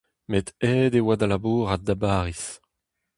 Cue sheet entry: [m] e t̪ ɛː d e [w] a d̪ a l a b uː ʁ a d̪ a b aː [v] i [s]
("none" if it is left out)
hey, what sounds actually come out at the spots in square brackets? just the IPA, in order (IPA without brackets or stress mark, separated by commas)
m, w, ʁ, s